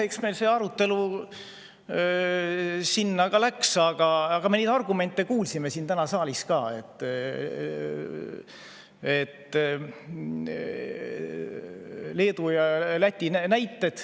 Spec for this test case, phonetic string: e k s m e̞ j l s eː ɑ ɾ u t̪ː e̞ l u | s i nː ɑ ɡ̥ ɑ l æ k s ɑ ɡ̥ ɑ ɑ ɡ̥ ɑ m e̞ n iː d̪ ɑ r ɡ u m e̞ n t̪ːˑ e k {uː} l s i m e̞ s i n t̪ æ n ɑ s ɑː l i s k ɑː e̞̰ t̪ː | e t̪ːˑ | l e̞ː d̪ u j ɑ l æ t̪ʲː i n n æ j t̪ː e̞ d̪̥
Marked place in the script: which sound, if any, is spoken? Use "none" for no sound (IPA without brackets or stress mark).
uː